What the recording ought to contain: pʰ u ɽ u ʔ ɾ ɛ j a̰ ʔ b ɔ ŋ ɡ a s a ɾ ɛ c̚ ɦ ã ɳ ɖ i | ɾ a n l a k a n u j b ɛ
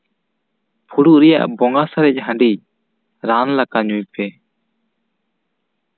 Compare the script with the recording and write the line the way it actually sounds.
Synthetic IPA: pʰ u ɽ u ʔ ɾ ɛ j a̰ ʔ b ɔ ŋ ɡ a s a ɾ ɛ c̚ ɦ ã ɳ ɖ i | ɾ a n l a k a ɲ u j p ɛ